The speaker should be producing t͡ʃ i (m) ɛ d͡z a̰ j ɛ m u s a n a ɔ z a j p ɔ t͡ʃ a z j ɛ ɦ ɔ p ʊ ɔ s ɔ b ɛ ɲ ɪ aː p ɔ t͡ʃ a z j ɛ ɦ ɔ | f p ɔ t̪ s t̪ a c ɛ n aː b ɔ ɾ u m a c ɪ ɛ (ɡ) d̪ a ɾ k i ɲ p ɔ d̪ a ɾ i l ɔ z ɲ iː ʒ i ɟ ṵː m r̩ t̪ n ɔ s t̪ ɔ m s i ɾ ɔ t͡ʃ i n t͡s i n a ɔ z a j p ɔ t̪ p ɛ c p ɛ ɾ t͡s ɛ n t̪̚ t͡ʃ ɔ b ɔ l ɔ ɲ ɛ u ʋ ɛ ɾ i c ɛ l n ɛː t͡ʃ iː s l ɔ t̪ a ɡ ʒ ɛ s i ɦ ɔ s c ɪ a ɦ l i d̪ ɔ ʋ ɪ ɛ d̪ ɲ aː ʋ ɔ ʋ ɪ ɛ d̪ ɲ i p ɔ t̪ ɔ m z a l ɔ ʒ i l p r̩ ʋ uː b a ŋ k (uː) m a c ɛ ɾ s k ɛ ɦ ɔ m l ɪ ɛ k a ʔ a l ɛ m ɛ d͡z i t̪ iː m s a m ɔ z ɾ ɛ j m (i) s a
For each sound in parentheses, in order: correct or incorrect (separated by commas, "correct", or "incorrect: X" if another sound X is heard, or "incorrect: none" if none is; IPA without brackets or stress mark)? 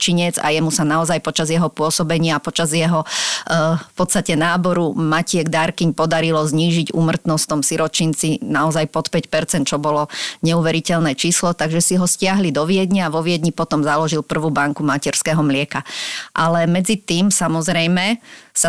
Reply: incorrect: ɲ, correct, incorrect: u, incorrect: ɛ